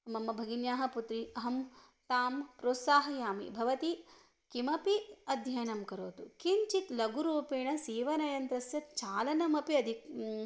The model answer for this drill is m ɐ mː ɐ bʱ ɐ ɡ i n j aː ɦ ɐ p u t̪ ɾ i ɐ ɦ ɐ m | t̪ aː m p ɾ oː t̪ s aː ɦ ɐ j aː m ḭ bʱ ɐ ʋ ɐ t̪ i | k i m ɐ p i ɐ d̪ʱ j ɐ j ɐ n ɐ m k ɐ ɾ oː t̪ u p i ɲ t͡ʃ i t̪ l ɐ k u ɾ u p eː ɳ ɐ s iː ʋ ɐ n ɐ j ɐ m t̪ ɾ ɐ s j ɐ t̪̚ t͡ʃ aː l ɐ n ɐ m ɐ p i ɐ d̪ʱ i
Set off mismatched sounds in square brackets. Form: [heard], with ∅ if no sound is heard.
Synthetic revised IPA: m ɐ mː ɐ bʱ ɐ ɡ i n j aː ɦ ɐ p u t̪ ɾ i ɐ ɦ ɐ m | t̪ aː m p ɾ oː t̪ s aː ɦ ɐ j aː m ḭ bʱ ɐ ʋ ɐ t̪ i | k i m ɐ p i ɐ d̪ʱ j ɐ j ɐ n ɐ m k ɐ ɾ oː t̪ u [k] i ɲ t͡ʃ i t̪ l ɐ [ɡ] u ɾ [uː] p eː ɳ ɐ s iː ʋ ɐ n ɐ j ɐ [n] t̪ ɾ ɐ s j ɐ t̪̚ t͡ʃ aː l ɐ n ɐ m ɐ p i ɐ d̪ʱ i